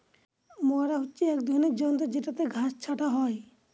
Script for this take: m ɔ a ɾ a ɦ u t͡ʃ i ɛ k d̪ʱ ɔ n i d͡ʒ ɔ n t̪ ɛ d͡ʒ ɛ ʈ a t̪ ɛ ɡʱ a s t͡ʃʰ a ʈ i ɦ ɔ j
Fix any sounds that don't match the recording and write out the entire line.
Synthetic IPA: m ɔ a ɾ a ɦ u t͡ʃ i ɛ k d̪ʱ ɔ n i d͡ʒ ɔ n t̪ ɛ d͡ʒ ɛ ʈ a t̪ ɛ ɡʱ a s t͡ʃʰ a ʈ a ɦ ɔ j